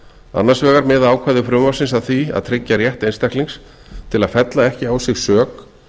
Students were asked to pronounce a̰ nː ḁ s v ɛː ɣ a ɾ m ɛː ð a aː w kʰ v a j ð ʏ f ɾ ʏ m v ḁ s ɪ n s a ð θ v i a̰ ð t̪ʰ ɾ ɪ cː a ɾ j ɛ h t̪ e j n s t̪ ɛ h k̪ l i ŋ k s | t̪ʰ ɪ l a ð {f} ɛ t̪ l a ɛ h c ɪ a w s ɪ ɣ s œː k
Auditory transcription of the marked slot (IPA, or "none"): f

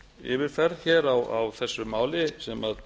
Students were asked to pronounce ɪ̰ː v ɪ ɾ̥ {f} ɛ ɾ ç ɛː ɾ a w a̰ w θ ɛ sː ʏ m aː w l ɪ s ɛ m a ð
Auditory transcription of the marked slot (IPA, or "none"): f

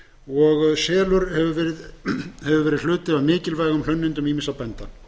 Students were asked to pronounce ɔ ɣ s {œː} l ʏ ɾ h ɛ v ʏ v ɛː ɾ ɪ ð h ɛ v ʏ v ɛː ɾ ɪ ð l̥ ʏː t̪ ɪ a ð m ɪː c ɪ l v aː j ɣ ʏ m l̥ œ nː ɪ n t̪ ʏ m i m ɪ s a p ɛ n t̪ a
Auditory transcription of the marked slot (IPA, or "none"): ɛː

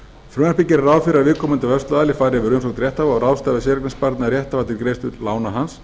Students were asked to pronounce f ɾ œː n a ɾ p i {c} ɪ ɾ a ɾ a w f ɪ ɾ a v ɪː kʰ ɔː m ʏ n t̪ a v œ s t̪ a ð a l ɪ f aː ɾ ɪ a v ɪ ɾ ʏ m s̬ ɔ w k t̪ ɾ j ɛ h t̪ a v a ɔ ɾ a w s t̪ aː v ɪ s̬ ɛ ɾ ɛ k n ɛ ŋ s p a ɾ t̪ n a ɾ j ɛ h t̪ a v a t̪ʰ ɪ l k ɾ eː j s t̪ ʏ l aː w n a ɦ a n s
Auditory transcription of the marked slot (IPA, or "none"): c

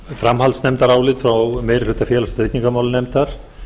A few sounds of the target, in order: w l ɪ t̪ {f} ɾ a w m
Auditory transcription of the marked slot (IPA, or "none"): f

